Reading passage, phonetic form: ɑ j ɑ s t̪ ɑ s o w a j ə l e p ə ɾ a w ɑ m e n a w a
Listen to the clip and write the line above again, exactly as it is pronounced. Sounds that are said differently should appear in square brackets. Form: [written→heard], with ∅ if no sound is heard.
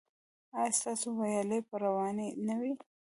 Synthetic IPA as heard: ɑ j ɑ s t̪ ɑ s o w a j [ə→ɑ] l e p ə ɾ a w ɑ [m→n] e n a w [a→i]